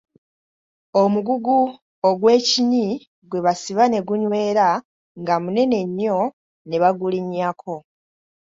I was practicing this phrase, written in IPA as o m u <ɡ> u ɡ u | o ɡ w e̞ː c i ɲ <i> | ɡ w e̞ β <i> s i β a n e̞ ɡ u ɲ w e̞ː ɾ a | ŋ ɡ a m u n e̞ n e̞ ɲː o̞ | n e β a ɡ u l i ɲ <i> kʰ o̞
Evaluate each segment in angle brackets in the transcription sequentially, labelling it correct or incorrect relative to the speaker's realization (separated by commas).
correct, correct, incorrect, incorrect